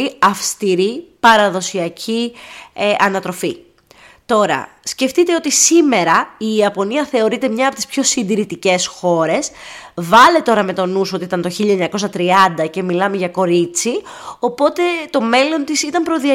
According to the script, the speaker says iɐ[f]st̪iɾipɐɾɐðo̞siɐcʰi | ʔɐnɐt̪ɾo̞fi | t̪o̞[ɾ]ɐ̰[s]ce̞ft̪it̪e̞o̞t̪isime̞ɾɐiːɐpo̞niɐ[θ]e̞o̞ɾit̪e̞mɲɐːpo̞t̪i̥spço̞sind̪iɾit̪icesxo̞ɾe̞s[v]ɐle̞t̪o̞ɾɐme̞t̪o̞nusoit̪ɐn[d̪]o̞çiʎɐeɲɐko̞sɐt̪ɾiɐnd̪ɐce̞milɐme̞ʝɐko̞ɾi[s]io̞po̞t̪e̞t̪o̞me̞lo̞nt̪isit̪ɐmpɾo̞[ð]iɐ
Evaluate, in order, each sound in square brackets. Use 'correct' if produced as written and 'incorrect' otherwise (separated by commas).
correct, correct, correct, correct, correct, incorrect, incorrect, correct